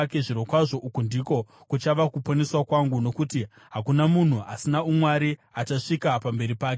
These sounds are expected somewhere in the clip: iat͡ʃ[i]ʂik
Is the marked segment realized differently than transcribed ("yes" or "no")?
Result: yes